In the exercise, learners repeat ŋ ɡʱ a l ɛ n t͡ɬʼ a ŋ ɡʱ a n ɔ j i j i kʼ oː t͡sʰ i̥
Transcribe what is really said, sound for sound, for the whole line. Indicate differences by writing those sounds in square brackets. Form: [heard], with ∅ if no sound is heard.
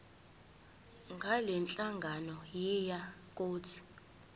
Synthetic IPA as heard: ŋ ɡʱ a l ɛ n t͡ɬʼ a ŋ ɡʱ a n ɔ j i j [a] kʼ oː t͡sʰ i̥